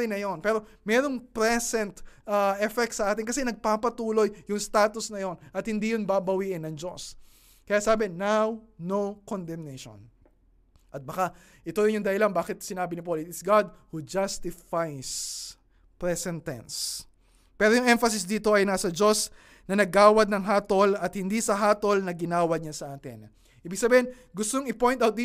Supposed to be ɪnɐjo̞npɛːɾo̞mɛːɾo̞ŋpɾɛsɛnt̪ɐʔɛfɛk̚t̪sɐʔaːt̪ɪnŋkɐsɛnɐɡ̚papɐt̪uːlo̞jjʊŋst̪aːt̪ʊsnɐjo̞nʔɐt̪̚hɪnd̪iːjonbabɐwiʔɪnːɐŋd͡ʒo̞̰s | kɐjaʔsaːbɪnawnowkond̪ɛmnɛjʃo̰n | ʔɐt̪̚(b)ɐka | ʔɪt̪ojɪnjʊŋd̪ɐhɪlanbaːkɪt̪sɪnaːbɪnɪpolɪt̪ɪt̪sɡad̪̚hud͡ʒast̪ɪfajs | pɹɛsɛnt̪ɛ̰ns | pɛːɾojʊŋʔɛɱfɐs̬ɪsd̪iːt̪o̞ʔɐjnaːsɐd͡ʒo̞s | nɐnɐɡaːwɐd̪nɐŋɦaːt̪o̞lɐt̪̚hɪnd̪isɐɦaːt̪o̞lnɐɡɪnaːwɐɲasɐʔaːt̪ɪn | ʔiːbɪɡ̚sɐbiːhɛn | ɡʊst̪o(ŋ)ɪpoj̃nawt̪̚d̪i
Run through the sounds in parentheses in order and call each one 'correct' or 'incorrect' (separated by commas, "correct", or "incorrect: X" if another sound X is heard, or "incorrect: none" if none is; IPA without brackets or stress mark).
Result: correct, correct